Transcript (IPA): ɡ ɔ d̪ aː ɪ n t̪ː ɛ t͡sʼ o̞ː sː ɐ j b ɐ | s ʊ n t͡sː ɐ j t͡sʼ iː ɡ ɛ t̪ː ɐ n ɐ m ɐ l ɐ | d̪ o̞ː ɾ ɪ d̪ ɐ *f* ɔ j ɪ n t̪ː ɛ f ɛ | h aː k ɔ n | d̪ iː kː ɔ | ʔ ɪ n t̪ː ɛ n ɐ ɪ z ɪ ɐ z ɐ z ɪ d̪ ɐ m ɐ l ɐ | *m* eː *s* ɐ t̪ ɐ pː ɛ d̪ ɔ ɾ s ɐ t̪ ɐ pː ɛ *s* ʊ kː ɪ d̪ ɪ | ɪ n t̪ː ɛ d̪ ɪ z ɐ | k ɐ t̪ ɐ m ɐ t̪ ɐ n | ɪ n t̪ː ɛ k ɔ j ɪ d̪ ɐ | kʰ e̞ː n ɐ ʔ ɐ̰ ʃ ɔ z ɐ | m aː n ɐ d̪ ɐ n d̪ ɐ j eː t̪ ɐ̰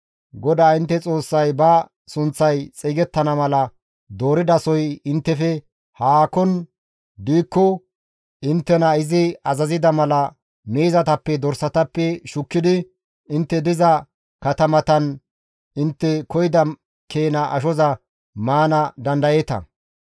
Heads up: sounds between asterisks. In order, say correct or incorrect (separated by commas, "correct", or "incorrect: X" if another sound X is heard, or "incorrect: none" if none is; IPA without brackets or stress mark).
incorrect: s, correct, incorrect: z, incorrect: ʃ